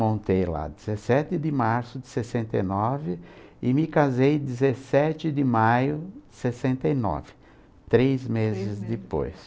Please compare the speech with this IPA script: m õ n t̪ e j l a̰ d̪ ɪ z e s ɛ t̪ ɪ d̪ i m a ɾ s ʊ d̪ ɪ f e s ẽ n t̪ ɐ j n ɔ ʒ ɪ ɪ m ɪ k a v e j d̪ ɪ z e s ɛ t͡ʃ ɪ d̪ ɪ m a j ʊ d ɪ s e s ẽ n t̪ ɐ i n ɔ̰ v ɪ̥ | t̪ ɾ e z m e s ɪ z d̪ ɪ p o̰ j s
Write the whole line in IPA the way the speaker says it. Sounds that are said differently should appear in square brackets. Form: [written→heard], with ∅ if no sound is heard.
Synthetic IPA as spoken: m õ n t̪ e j l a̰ d̪ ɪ z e s ɛ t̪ ɪ d̪ [i→ɪ] m a ɾ s ʊ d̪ ɪ [f→s] e s ẽ n t̪ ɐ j n ɔ [ʒ→v] ɪ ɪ m ɪ k a [v→z] e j d̪ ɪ z e s ɛ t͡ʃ ɪ d̪ ɪ m a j ʊ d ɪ s e s ẽ n t̪ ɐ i n ɔ̰ v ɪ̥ | t̪ ɾ e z m e [s→z] ɪ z d̪ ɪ p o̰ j s